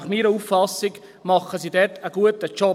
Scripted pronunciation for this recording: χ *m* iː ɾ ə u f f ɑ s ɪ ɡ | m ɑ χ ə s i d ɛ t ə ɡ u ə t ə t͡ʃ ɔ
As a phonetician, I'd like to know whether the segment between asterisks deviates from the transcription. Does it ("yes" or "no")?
no